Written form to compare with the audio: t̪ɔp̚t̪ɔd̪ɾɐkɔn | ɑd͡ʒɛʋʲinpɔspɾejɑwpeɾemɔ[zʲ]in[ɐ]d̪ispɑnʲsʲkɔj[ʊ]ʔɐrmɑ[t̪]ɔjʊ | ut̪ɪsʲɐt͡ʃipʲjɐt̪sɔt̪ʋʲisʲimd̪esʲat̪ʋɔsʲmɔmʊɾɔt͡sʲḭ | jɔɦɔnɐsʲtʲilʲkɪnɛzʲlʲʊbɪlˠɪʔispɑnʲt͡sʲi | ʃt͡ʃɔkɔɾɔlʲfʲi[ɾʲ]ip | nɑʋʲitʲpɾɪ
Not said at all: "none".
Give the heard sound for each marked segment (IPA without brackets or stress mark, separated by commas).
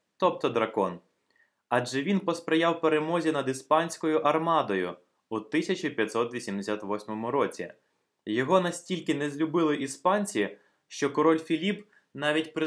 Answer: zʲ, ɐ, ʊ, d̪, lʲ